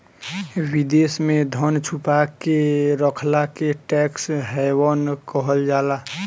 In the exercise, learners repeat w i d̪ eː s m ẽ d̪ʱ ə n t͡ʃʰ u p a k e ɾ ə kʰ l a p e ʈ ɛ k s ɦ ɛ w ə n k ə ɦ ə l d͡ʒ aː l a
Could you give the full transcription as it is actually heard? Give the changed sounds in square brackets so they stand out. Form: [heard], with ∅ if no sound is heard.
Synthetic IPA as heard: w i d̪ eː s m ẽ d̪ʱ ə n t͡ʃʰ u p a k e ɾ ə kʰ l a [k] e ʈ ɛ k s ɦ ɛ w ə n k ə ɦ ə l d͡ʒ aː l a